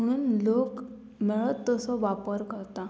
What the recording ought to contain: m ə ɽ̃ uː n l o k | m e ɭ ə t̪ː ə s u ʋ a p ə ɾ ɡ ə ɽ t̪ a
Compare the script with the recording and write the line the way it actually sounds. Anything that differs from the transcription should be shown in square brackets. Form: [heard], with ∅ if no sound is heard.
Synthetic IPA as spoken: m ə ɽ̃ uː n l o k | m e ɭ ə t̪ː ə s [ɔ] ʋ a p ə ɾ [k] ə [ɾ] t̪ a